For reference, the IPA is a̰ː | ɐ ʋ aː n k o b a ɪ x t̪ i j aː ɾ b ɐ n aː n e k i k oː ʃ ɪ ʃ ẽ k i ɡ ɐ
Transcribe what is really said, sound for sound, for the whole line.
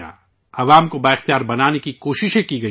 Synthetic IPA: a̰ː | ɐ ʋ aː m k o b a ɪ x t̪ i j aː ɾ b ɐ n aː n e k i k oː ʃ ɪ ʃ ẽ k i ɡ ɐ